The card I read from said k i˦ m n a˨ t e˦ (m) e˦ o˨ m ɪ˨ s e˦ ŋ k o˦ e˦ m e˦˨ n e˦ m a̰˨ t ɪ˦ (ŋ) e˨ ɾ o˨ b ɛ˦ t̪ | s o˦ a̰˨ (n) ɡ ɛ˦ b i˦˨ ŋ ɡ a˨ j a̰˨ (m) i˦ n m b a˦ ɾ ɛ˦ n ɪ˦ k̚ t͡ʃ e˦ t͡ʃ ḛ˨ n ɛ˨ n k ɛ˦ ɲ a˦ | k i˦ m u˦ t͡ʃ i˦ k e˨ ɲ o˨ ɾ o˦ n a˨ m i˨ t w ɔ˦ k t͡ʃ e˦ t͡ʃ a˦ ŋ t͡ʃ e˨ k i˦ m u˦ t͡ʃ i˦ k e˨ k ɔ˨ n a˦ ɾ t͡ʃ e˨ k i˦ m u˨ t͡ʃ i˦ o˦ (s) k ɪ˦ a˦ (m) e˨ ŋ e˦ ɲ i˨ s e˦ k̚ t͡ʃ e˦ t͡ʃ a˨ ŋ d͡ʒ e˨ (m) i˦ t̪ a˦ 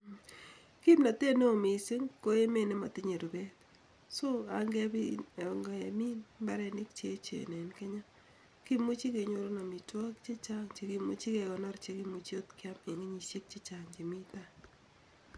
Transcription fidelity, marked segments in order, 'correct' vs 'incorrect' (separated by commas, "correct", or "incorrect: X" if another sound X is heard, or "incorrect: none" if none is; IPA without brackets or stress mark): incorrect: n, incorrect: ɲ, incorrect: ŋ, correct, incorrect: t, correct, correct